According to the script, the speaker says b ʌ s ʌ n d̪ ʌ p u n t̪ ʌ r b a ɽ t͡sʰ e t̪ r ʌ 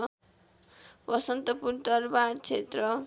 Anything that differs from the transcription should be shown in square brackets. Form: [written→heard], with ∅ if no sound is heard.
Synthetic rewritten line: b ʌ s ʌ n [d̪→t̪] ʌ p u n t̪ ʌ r b a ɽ t͡sʰ e t̪ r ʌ